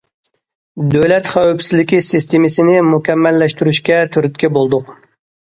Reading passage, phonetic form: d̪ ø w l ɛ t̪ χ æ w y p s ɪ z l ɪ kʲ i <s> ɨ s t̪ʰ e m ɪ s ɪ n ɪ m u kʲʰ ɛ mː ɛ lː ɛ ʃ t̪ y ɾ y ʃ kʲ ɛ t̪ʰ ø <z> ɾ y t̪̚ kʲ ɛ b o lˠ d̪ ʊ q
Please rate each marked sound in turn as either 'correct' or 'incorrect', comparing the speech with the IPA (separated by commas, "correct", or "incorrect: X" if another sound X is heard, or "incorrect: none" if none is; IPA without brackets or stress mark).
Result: correct, incorrect: none